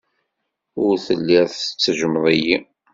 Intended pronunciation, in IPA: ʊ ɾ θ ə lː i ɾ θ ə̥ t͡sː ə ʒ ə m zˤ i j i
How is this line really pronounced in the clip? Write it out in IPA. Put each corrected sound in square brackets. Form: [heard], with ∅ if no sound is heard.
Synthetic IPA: ʊ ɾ θ ə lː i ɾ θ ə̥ t͡sː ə ʒ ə m [ðˤ] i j i